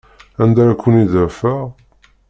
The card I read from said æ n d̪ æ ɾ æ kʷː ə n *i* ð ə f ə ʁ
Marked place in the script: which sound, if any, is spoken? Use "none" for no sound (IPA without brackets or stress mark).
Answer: i